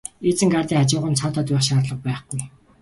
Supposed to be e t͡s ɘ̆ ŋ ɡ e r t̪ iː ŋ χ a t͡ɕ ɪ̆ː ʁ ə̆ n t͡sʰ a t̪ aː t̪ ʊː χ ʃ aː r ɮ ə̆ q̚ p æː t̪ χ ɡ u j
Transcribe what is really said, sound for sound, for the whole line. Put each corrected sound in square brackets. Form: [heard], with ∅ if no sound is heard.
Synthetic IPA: e t͡s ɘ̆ ŋ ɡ [a] r t̪ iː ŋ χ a t͡ɕ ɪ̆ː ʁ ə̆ n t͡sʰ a t̪ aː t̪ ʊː χ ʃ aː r ɮ ə̆ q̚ p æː [∅] χ ɡ u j